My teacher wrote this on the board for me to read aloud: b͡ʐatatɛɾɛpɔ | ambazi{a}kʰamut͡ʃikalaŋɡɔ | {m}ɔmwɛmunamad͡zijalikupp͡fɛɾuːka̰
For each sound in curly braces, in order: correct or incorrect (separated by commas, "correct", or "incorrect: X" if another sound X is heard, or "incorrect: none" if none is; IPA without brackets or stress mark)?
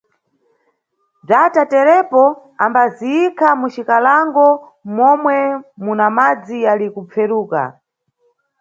incorrect: i, correct